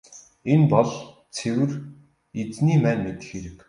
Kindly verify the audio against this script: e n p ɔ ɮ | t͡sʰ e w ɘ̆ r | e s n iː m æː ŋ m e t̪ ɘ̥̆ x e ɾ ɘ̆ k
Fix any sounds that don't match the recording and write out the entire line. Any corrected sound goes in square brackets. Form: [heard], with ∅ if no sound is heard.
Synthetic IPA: e n p ɔ ɮ | t͡sʰ e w ɘ̆ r | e [t͡s] n iː m æː [n] m e t̪ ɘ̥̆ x e ɾ ɘ̆ k